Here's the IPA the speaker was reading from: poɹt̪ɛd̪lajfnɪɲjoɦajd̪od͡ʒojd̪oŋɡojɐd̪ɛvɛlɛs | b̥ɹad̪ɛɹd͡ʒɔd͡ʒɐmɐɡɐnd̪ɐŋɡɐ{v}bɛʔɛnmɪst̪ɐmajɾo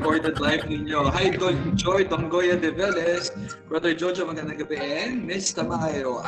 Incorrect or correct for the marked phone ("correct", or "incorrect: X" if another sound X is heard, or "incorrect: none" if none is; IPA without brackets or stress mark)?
incorrect: none